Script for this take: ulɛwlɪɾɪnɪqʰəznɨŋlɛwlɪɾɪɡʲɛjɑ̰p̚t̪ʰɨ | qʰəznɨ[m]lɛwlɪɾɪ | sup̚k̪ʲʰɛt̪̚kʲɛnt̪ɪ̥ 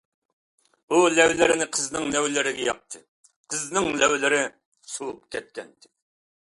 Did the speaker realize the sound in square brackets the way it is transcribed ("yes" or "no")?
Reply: no